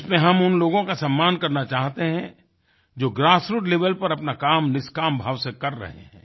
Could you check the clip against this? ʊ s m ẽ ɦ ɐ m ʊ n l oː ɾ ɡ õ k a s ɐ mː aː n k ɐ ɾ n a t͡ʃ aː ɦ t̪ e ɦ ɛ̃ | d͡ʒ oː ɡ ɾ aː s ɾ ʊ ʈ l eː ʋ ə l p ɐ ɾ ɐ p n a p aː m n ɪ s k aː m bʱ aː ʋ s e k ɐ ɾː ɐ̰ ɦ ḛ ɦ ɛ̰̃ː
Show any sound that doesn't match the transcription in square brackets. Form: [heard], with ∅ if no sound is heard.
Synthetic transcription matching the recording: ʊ s m ẽ ɦ ɐ m ʊ n l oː [∅] ɡ õ k a s ɐ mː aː n k ɐ ɾ n a t͡ʃ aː ɦ t̪ e ɦ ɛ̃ | d͡ʒ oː ɡ ɾ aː s ɾ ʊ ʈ l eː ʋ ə l p ɐ ɾ ɐ p n a [k] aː m n ɪ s k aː m bʱ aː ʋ s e k ɐ ɾː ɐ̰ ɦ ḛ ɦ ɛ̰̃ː